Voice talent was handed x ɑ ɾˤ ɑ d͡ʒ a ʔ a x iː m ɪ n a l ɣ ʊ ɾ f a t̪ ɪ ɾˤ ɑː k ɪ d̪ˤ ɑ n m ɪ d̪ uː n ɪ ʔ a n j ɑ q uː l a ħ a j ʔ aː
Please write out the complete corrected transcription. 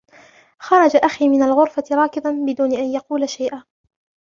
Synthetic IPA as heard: x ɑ ɾˤ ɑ d͡ʒ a ʔ a x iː m ɪ n a l ɣ ʊ ɾ f a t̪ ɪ ɾˤ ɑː k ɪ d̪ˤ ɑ n b ɪ d̪ uː n ɪ ʔ a n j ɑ q uː l a ʃ a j ʔ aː